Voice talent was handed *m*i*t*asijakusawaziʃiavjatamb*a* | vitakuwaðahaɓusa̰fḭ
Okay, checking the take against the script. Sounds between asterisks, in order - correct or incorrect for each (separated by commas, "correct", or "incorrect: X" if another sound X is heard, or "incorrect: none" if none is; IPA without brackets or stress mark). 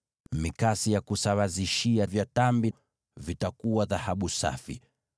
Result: correct, incorrect: k, incorrect: i